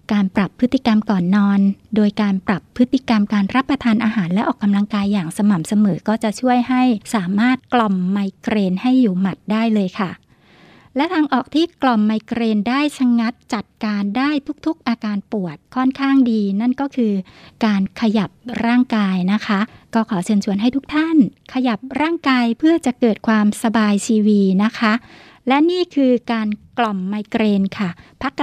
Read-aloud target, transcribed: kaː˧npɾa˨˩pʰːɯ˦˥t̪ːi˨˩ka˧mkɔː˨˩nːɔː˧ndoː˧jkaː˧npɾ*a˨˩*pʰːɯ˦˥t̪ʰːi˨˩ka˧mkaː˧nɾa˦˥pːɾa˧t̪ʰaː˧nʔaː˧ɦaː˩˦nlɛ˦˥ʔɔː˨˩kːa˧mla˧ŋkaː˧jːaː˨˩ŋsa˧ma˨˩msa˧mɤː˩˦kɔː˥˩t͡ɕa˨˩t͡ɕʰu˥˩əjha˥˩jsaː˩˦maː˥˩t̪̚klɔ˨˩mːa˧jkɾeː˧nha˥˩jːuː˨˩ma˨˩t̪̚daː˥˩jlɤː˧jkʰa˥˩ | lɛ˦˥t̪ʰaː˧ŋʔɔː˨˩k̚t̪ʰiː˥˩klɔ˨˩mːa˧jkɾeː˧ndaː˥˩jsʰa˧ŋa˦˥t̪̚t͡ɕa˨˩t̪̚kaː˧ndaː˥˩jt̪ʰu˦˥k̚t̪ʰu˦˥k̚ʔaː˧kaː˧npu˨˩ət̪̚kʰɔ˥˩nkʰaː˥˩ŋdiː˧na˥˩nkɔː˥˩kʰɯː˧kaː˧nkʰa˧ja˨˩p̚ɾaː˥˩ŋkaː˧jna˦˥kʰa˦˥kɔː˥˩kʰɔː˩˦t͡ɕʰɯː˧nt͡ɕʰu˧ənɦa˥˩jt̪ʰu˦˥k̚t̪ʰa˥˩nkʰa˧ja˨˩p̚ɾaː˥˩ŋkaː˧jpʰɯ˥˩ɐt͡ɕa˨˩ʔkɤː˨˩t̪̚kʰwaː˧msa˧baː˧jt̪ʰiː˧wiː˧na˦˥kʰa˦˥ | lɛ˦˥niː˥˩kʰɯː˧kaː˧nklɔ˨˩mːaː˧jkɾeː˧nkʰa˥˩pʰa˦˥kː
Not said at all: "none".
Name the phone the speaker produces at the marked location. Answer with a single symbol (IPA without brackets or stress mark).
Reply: a˨˩